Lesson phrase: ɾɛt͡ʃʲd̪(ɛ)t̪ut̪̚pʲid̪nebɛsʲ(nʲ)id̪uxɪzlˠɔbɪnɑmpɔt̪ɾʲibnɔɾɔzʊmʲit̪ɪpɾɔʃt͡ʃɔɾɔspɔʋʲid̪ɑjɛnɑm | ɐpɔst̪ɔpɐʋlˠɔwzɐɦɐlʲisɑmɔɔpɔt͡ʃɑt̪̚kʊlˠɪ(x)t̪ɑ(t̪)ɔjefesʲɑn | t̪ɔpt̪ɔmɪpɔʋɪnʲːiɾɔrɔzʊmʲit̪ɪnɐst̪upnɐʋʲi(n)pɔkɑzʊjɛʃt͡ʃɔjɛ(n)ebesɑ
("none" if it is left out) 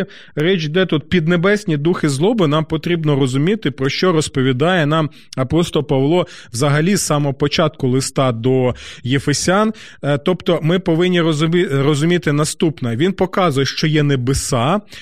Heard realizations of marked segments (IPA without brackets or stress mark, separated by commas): ɛ, nʲ, s, d̪, n, n